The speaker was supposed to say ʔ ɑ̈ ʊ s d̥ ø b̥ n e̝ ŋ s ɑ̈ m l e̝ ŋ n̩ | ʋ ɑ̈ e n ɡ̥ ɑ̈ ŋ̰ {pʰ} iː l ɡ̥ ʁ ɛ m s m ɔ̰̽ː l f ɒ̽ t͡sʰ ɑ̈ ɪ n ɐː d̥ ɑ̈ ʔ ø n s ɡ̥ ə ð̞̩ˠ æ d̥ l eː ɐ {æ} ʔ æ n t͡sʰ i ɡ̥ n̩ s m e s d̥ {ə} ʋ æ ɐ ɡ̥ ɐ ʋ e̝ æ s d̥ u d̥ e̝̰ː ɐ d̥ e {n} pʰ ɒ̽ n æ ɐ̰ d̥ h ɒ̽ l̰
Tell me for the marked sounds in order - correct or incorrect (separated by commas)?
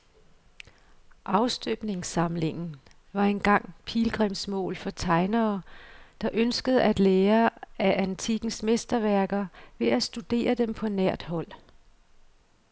correct, correct, incorrect, incorrect